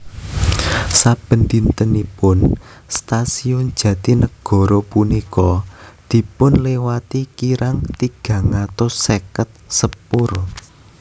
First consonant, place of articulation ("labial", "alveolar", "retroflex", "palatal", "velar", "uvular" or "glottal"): alveolar